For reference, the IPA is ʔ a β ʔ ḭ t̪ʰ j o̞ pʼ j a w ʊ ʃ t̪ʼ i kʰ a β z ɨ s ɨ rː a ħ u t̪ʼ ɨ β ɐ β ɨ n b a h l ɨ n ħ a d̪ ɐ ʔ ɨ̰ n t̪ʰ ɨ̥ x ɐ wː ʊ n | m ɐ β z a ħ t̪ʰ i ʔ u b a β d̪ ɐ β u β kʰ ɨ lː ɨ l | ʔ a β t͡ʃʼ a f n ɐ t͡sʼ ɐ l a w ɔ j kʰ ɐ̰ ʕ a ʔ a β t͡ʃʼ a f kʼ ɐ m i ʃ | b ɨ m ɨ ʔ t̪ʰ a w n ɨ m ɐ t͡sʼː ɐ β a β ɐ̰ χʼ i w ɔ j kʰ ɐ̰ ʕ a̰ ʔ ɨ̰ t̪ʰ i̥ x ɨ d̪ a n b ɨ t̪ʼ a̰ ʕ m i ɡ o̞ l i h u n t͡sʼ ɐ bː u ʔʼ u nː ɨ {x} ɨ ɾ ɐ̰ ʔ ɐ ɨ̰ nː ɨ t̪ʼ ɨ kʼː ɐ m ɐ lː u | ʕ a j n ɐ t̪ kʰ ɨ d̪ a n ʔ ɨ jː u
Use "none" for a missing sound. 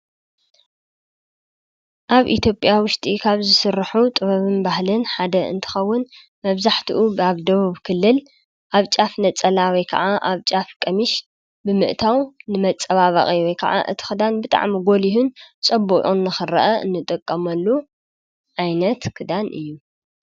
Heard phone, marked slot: x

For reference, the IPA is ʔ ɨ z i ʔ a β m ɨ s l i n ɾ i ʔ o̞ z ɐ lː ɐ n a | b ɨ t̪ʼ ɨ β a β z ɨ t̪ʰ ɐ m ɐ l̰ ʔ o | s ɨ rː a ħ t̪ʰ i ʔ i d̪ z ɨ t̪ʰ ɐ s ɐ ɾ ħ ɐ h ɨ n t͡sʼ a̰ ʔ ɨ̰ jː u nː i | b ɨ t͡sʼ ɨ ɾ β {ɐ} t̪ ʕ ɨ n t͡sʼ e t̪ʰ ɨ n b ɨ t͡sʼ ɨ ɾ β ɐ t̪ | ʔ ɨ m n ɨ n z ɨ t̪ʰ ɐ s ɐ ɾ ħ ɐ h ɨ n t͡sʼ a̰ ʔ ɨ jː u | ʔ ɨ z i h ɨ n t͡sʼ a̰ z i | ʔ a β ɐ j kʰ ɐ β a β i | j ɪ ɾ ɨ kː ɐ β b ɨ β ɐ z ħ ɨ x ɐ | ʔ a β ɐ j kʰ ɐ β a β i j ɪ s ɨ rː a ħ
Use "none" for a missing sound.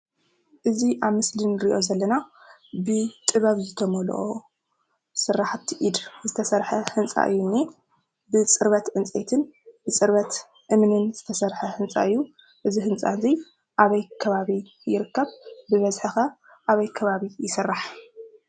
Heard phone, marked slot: ɐ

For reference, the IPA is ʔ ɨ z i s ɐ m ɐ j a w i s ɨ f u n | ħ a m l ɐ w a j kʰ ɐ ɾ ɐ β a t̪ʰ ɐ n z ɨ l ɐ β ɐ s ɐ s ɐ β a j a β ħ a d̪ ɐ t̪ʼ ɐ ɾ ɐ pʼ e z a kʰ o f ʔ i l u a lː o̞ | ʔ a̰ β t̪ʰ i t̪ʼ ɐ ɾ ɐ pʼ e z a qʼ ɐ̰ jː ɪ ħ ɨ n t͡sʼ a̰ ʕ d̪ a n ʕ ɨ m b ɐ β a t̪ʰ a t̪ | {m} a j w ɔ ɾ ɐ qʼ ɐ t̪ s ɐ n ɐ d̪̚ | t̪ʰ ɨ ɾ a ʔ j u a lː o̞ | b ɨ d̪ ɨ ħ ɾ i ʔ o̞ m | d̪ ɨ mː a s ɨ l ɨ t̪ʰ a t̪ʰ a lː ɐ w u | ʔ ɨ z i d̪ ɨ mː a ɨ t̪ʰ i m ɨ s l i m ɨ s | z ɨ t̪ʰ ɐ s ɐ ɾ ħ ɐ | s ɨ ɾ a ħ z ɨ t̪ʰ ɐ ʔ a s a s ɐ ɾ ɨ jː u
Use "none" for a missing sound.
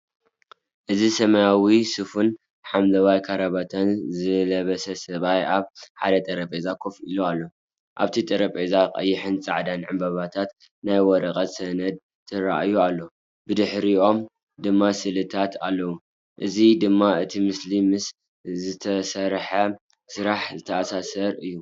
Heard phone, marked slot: n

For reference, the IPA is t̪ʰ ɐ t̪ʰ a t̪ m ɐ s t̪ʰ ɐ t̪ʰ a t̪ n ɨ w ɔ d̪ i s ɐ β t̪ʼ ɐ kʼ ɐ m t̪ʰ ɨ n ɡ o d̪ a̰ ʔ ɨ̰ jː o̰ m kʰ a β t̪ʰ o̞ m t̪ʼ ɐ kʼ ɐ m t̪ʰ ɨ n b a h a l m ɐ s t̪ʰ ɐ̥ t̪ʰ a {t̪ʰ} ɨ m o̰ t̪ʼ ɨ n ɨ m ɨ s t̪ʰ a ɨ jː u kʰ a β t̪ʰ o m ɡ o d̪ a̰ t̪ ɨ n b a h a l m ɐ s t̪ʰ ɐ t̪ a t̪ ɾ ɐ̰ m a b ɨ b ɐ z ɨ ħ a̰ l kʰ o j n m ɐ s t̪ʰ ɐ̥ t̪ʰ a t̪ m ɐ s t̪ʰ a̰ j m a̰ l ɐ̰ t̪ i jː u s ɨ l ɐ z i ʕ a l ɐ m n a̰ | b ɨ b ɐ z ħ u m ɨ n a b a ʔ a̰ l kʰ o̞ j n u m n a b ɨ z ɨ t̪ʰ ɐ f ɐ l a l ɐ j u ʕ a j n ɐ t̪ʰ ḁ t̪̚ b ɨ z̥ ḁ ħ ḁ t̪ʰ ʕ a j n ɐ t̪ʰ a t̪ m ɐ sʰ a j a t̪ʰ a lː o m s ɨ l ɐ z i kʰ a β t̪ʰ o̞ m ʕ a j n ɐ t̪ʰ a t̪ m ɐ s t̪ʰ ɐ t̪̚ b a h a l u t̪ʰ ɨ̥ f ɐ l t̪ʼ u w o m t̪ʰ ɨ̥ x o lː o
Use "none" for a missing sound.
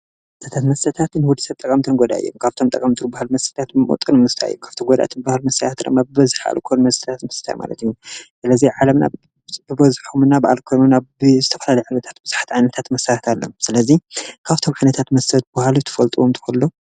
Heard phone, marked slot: t̪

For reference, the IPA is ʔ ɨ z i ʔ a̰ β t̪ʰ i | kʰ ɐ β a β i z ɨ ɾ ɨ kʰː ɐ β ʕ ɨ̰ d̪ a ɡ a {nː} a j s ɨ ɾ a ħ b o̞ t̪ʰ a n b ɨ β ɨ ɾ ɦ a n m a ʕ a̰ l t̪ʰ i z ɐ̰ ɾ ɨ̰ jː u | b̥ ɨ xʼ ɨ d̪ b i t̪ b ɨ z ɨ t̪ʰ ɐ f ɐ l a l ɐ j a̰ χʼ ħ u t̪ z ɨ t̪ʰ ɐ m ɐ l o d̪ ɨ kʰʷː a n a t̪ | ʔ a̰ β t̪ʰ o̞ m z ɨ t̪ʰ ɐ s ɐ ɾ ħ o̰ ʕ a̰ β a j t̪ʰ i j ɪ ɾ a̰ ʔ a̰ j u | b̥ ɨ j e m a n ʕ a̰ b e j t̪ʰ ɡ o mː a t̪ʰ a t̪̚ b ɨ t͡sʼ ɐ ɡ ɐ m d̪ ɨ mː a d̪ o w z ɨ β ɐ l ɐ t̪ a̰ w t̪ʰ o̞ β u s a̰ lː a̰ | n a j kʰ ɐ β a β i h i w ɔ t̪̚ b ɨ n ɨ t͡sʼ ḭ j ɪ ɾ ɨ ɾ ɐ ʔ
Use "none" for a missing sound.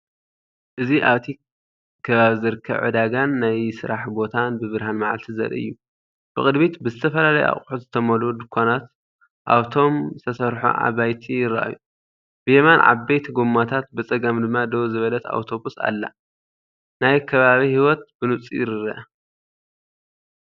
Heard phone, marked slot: nː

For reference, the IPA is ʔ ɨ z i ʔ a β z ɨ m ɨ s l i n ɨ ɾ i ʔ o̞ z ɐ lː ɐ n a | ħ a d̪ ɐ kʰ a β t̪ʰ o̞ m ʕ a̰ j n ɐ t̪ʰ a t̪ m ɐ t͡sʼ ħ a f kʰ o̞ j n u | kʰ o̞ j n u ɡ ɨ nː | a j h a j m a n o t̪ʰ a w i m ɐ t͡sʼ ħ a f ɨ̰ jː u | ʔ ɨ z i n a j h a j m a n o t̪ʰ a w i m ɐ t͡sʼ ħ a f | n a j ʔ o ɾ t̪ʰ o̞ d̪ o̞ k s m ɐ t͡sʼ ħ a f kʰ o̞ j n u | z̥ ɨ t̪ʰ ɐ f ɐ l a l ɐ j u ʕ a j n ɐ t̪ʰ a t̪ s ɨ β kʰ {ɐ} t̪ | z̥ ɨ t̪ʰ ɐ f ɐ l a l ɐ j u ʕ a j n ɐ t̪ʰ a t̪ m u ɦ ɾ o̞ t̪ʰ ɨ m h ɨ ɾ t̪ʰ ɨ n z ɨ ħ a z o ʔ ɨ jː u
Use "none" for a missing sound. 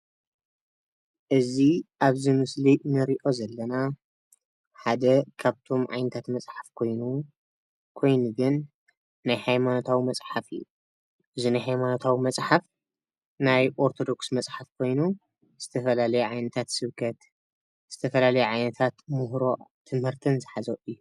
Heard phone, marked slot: ɐ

